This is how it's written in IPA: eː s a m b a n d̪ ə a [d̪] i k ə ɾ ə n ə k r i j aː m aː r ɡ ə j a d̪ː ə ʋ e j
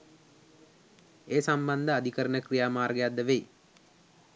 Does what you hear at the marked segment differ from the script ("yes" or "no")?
no